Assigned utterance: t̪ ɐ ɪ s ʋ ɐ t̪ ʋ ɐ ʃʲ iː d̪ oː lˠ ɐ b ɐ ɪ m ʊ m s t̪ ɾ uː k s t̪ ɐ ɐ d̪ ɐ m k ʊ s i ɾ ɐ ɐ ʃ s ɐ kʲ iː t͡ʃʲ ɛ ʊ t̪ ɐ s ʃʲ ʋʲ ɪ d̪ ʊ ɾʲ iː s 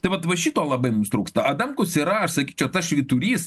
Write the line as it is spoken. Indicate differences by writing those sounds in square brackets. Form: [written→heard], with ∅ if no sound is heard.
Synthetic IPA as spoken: t̪ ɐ ɪ [s→∅] ʋ ɐ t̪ ʋ ɐ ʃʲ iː [d̪→t̪] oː lˠ ɐ b ɐ ɪ m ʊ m s t̪ ɾ uː k s t̪ ɐ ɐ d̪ ɐ m k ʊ s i ɾ ɐ ɐ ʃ s ɐ kʲ iː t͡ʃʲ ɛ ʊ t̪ ɐ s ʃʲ ʋʲ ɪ [d̪→t̪] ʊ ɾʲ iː s